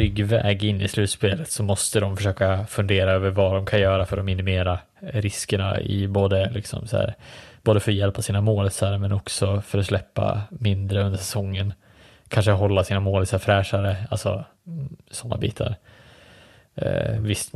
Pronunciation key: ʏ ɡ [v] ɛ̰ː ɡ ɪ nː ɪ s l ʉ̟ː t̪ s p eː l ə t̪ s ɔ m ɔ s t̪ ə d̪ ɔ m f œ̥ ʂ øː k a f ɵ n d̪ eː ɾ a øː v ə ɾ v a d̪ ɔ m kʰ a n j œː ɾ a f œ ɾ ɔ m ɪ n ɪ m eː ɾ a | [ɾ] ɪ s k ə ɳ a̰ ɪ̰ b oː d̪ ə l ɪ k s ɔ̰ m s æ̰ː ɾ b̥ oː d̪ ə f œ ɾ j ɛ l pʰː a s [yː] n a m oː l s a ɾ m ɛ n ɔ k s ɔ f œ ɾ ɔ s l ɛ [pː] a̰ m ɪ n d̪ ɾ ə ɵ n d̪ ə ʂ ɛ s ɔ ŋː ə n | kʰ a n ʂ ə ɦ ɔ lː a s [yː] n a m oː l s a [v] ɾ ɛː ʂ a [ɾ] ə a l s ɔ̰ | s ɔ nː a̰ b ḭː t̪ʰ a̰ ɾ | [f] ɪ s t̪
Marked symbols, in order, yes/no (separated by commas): yes, yes, no, yes, no, no, yes, no